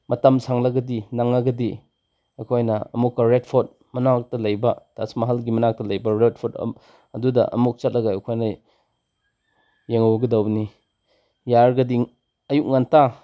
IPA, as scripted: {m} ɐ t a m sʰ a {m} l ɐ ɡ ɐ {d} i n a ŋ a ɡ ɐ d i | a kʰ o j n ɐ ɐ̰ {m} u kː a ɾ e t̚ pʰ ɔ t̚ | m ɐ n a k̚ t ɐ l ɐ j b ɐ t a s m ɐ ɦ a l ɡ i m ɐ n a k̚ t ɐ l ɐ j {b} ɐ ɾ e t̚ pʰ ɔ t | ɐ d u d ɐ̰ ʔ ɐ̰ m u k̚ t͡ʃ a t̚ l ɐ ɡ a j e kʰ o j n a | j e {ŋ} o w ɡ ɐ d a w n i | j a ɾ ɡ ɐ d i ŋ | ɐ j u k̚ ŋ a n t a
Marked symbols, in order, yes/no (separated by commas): yes, no, yes, yes, yes, yes